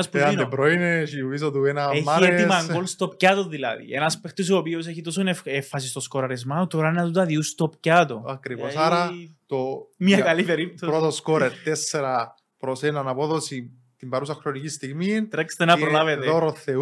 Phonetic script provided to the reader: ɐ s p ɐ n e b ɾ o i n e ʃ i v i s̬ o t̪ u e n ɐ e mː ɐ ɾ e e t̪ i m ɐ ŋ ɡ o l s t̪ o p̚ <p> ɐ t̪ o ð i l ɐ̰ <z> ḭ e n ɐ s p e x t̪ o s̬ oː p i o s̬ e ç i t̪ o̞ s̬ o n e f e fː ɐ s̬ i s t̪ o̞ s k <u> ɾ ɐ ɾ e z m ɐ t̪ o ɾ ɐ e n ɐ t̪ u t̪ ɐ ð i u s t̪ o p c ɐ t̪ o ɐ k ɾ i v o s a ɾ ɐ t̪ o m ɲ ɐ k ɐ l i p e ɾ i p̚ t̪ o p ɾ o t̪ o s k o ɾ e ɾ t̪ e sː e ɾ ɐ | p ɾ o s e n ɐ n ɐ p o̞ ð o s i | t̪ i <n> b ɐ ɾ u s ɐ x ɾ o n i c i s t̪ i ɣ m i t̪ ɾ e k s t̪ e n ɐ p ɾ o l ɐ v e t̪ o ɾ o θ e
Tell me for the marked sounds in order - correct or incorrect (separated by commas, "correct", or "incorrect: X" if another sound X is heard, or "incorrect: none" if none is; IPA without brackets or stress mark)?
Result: incorrect: c, incorrect: ð, incorrect: o, incorrect: m